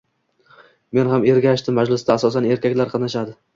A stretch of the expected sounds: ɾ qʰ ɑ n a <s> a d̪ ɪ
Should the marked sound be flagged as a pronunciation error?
yes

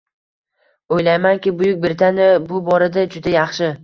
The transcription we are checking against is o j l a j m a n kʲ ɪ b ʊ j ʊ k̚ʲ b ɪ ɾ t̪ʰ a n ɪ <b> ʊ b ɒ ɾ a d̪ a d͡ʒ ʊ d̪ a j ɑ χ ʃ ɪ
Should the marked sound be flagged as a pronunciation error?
no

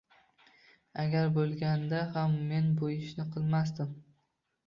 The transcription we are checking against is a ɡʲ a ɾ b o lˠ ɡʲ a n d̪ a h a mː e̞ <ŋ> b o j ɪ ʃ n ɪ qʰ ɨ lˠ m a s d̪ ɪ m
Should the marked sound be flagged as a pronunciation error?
yes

